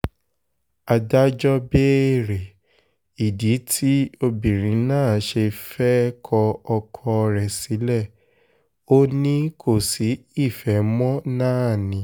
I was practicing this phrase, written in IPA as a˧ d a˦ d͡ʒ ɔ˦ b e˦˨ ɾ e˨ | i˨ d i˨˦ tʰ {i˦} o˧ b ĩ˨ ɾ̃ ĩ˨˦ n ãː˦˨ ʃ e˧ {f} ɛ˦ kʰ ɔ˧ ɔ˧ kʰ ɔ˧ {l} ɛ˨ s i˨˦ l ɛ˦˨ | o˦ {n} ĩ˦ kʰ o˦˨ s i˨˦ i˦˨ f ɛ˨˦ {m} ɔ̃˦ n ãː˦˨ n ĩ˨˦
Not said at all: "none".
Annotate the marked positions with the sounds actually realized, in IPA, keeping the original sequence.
i˦, f, ɾ, n, m

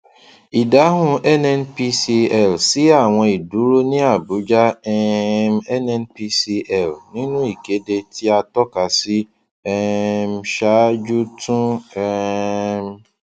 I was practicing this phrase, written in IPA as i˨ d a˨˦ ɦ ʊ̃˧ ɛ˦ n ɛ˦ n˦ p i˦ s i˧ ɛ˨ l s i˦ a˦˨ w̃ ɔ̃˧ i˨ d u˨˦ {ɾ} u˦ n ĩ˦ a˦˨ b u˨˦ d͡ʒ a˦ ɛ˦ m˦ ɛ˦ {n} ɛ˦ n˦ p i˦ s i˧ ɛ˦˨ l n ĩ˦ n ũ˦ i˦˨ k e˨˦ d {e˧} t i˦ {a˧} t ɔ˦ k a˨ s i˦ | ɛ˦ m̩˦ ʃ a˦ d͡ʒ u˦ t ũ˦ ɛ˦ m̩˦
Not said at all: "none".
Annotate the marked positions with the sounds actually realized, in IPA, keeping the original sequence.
ɾ, n, e˧, a˧

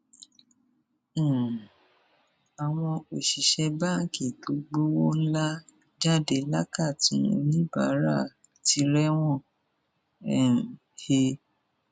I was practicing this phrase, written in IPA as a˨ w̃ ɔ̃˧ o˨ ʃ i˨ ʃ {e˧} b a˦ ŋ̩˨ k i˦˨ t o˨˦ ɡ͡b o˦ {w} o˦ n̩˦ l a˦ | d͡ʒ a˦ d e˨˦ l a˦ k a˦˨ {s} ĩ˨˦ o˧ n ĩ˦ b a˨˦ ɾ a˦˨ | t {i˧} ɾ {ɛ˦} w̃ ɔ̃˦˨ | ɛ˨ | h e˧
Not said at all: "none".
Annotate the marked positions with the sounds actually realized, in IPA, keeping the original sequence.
ɛ˧, w, t, i˧, ɛ˦

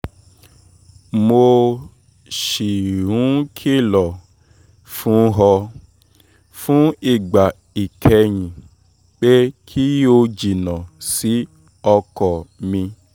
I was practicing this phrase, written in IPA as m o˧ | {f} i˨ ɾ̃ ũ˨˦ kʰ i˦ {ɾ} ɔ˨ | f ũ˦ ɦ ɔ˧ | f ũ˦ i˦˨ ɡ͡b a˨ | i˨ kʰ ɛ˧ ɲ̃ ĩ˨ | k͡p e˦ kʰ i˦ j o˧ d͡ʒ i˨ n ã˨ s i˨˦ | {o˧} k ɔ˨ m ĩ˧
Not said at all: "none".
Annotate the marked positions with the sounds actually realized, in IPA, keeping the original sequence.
ʃ, l, ɔ˧

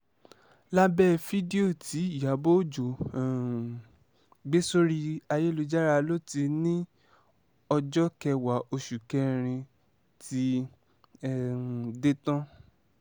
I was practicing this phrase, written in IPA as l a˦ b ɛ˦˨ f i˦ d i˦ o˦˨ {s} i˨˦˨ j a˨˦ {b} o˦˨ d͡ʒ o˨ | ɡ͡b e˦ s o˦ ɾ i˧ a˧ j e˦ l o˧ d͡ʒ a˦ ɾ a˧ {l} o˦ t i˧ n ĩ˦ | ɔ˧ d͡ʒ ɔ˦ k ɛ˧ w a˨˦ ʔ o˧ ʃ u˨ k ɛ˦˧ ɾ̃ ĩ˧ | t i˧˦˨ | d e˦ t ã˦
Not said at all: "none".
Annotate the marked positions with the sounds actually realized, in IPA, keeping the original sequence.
t, b, l

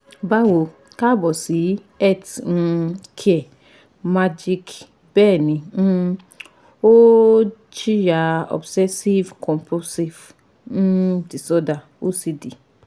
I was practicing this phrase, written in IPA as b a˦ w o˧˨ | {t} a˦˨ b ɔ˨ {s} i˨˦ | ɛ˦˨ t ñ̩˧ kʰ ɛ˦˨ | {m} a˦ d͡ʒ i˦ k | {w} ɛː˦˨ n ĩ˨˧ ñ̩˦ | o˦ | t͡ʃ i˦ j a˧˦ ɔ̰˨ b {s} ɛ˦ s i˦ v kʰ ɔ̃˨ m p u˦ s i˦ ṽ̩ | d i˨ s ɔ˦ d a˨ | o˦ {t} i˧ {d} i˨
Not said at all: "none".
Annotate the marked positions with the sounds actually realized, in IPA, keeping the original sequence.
k, s, m, b, s, s, d

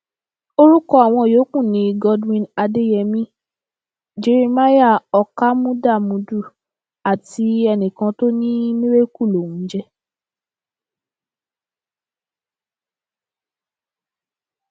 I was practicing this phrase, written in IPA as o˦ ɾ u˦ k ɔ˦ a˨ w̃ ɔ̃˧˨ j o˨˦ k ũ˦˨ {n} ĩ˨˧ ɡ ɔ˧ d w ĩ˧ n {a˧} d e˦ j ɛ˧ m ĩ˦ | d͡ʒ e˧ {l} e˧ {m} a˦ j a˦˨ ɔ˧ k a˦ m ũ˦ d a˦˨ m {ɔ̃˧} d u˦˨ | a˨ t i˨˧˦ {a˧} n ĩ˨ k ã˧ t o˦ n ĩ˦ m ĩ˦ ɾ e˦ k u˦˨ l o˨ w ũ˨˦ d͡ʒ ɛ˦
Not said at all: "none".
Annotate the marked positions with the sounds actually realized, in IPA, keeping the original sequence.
n, a˧, ɾ, m, ũ˧, ɛ˧

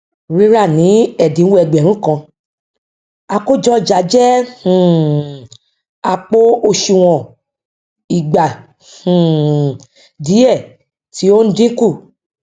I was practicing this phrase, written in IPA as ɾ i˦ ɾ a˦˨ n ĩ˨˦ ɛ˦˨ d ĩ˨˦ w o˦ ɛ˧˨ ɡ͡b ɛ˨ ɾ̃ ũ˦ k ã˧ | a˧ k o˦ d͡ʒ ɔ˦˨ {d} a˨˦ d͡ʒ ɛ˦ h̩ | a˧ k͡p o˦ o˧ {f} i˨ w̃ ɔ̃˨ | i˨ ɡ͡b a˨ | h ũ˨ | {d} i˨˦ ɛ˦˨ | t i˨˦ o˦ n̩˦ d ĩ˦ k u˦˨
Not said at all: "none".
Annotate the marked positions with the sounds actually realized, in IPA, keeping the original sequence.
d͡ʒ, ʃ, d

